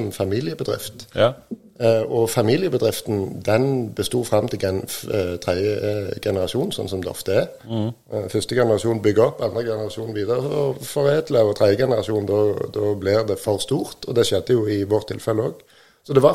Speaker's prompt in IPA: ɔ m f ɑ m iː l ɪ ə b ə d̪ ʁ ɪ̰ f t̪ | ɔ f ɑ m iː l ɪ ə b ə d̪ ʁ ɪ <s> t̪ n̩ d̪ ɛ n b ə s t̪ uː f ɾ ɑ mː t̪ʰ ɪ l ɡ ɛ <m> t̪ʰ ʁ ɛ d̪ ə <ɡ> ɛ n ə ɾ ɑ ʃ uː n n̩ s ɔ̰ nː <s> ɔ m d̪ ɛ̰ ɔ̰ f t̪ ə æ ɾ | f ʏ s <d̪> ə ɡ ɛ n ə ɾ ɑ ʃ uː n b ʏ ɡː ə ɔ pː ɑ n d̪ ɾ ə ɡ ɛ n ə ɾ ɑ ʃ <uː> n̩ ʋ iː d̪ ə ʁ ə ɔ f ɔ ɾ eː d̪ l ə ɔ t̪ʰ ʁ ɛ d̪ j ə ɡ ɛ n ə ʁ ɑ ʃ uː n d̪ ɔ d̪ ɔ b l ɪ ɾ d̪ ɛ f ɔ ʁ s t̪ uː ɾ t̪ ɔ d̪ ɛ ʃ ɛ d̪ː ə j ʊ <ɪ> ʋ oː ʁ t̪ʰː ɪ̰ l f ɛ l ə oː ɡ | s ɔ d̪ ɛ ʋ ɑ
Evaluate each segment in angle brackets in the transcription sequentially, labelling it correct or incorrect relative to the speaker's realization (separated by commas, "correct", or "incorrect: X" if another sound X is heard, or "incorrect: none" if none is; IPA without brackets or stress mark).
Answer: incorrect: f, incorrect: n, correct, correct, incorrect: t̪, correct, correct